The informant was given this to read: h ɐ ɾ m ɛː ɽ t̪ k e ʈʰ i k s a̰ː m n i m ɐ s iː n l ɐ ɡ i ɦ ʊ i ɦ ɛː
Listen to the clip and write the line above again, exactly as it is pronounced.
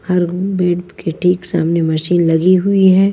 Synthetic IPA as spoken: h ɐ ɾ b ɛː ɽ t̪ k e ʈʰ iː k s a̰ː m n e m ɐ ʃ iː n l ɐ ɡ i ɦ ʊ i ɦ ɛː